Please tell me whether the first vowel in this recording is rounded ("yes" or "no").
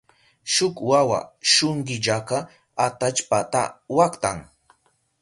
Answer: yes